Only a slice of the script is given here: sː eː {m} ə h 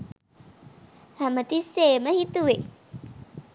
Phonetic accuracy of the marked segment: correct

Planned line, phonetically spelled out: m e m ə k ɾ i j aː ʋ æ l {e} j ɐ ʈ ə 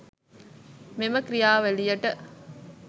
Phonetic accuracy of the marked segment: incorrect: i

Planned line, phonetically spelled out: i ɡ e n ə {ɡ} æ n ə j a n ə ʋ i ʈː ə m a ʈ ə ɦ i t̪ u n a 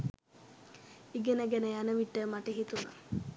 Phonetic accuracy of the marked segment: correct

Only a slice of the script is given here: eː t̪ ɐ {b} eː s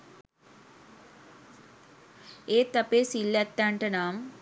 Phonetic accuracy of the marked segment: incorrect: p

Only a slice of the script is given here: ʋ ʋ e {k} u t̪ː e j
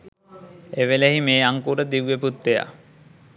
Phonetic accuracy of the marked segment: incorrect: p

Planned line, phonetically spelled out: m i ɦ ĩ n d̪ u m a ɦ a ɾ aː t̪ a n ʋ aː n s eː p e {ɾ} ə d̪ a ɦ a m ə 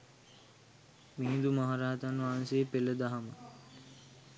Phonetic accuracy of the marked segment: incorrect: l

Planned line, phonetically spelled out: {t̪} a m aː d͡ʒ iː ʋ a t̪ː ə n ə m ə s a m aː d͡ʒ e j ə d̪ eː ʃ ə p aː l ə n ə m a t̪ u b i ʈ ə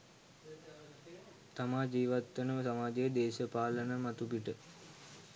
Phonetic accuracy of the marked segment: correct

